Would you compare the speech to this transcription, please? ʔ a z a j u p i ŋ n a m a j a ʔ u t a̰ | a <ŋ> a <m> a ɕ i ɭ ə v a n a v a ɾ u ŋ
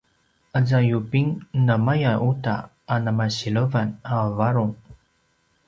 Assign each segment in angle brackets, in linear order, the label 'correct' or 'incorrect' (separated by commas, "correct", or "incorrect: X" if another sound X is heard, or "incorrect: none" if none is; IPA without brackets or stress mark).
incorrect: n, correct